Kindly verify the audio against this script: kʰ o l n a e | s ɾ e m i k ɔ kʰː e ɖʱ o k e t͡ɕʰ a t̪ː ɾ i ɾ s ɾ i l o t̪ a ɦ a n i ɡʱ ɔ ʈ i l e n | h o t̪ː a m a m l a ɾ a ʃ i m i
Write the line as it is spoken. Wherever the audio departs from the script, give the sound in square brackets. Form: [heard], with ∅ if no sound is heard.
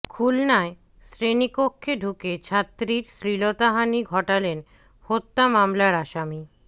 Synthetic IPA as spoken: kʰ [u] l n a e | s ɾ e [n] i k [o] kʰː e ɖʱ [u] k e t͡ɕʰ a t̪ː ɾ i ɾ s ɾ i l o t̪ a ɦ a n i ɡʱ ɔ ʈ [a] l e n | h o t̪ː a m a m l a ɾ a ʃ [a] m i